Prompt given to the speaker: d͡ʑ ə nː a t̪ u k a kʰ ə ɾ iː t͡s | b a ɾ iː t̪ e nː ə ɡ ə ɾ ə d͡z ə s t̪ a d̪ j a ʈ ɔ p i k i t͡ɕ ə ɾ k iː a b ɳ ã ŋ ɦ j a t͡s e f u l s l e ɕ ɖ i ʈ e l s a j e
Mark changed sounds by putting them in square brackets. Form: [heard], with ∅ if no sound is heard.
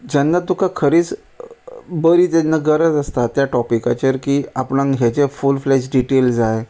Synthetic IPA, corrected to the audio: d͡ʑ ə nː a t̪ u k a kʰ ə ɾ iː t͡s | b [ə] ɾ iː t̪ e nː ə ɡ ə ɾ ə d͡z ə s t̪ a [t̪] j a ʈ ɔ p i k [a] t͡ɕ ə ɾ k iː a [p] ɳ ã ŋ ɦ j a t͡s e f u l [f] l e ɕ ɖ i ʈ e l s a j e